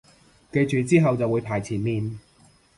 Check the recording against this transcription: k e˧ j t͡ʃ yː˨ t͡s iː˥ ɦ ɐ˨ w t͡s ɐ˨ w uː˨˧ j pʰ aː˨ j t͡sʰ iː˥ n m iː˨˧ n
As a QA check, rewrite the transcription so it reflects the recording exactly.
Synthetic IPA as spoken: k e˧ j t͡ʃ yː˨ t͡s iː˥ ɦ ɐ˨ w t͡s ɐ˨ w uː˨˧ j pʰ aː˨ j t͡sʰ iː˨˩ n m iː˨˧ n